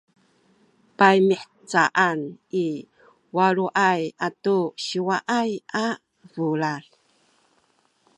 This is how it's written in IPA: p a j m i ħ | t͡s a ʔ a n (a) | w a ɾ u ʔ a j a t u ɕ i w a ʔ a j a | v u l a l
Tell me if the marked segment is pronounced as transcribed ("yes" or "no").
no